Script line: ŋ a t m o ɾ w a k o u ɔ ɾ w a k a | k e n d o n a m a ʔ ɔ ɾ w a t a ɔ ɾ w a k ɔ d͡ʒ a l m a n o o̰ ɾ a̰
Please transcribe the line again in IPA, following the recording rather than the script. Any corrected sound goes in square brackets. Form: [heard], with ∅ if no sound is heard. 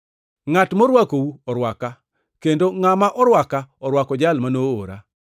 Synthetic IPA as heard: ŋ a t m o ɾ w a k o u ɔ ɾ w a k a | k e n d o [ŋ] a m a ʔ ɔ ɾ w a [k] a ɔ ɾ w a k ɔ d͡ʒ a l m a n o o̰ ɾ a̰